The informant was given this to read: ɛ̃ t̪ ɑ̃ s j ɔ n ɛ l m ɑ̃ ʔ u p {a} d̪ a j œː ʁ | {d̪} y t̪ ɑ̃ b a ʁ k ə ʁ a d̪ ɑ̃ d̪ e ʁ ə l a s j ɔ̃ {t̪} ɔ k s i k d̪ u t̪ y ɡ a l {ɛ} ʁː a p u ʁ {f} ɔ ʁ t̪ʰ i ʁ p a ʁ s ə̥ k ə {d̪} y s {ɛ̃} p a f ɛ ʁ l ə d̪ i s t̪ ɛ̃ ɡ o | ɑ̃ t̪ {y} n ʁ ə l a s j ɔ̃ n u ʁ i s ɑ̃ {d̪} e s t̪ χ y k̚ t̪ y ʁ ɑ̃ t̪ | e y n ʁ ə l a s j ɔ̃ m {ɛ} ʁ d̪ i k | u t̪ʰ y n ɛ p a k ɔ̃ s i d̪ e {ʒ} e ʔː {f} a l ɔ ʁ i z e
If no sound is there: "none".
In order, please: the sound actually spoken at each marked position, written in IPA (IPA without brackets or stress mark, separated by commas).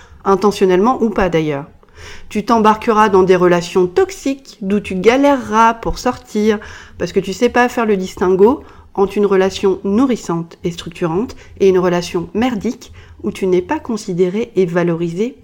a, t̪, t̪, ɛ, s, t̪, ɛ, y, t̪, ɛ, ʁ, v